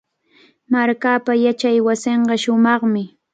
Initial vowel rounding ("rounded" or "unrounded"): unrounded